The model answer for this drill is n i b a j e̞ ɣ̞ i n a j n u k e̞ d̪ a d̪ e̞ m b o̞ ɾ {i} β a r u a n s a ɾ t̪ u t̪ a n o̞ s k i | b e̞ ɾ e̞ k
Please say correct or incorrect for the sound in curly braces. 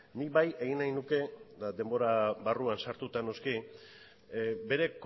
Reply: incorrect